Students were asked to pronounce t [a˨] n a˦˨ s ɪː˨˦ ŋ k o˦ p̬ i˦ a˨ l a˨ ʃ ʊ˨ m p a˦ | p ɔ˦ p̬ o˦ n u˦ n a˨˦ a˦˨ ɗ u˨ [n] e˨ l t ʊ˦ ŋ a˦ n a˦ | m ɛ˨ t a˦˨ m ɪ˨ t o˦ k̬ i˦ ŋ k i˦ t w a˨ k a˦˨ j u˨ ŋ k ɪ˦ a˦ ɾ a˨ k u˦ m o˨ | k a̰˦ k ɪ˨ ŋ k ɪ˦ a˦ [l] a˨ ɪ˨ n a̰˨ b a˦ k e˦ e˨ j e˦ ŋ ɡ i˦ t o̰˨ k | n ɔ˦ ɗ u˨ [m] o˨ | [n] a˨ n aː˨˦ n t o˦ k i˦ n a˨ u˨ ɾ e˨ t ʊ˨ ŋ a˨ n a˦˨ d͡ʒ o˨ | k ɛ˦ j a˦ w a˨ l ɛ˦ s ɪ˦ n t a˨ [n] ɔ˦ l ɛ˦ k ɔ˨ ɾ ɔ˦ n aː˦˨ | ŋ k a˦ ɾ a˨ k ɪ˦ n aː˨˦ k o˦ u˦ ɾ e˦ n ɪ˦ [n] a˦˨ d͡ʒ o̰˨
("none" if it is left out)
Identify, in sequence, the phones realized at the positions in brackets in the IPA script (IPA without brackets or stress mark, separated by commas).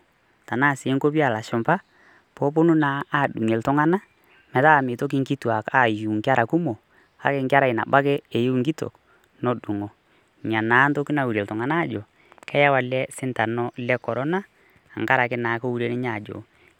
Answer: a˨, ŋ, ɾ, ŋ, ɲ, n, ɲ